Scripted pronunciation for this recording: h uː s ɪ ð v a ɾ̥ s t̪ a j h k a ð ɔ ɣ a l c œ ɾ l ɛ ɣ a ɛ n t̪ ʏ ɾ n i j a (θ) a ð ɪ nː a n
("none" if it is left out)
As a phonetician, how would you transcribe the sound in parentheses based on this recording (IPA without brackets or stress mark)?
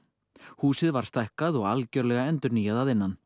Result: ð